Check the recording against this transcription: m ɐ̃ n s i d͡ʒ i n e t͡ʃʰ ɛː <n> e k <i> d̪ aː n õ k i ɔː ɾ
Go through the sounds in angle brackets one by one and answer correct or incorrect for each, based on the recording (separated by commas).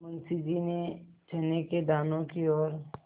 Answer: correct, incorrect